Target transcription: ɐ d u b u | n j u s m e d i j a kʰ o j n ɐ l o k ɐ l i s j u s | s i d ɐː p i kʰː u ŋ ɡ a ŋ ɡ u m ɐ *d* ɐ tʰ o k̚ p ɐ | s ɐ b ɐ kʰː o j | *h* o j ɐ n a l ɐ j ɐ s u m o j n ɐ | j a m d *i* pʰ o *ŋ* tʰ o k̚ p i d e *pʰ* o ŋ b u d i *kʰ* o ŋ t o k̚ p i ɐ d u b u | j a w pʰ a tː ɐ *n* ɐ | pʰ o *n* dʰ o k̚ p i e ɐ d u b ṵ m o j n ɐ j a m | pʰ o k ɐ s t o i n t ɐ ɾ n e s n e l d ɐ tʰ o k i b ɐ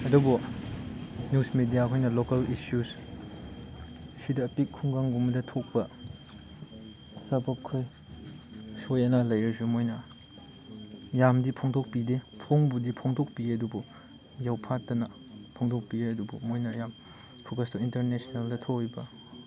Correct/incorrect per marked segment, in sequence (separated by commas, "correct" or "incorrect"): correct, incorrect, correct, correct, correct, incorrect, correct, incorrect